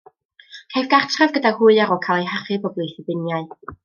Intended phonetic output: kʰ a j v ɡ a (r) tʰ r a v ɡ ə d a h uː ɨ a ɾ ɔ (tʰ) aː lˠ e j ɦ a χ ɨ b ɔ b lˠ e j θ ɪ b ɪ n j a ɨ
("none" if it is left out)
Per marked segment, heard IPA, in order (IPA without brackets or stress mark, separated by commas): r, kʰ